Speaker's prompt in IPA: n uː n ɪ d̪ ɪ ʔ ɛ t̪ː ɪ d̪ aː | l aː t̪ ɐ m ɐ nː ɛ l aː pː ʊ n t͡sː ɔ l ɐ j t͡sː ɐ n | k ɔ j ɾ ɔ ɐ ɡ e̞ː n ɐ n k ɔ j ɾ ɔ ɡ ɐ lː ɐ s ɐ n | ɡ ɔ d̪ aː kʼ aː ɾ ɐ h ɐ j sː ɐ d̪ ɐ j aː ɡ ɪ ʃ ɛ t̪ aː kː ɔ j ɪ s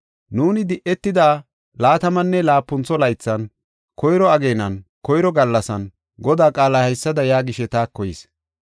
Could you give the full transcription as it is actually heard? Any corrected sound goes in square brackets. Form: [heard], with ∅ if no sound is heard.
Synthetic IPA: n uː n ɪ d̪ ɪ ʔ ɛ t̪ː ɪ d̪ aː | l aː t̪ ɐ m ɐ nː ɛ l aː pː ʊ n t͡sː ɔ l ɐ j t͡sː ɐ n | k ɔ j ɾ ɔ ɐ ɡ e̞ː n ɐ n k ɔ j ɾ ɔ ɡ ɐ lː ɐ s ɐ n | ɡ ɔ d̪ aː kʼ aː [l] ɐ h ɐ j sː ɐ d̪ ɐ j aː ɡ ɪ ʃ ɛ t̪ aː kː ɔ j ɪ s